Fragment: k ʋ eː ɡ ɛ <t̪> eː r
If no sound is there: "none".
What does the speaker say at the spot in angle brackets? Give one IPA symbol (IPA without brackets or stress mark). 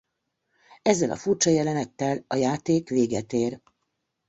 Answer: t̪